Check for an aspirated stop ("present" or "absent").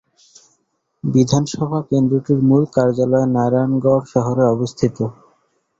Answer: present